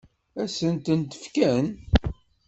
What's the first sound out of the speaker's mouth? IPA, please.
æ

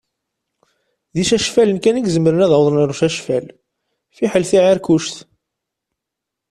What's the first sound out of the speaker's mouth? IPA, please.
ð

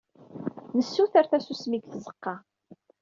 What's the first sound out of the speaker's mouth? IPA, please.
n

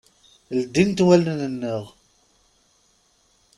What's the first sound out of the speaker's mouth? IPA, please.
l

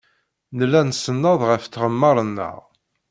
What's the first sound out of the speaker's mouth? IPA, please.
n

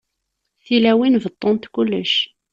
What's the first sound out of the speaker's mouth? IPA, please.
θ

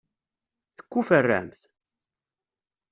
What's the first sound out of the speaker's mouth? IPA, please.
θ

